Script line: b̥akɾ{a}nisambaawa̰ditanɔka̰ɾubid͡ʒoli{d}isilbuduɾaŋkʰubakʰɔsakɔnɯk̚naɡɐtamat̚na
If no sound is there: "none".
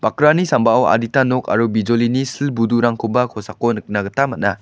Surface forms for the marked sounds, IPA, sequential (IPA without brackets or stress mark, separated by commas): a, n